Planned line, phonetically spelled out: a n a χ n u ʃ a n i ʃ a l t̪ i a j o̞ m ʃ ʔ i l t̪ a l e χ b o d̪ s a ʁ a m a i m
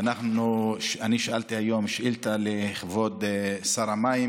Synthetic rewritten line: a n a χ n u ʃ a n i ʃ a l t̪ i a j o̞ m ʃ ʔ i l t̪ a l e χ v o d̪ s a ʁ a m a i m